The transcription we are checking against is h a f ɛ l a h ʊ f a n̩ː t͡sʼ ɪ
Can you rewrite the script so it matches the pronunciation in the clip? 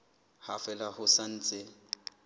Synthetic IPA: h a f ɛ l a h ʊ s a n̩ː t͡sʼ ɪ